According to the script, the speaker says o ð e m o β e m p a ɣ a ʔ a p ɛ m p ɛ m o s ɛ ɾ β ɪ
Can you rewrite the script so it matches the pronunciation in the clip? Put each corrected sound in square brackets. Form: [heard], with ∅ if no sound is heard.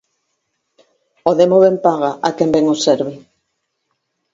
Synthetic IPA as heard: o ð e m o β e m p a ɣ a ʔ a [k] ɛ m [b] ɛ [ŋ] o s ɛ ɾ β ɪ